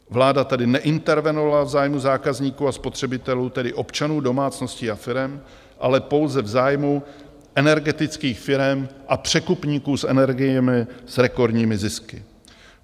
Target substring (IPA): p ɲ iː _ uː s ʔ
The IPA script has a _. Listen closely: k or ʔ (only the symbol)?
k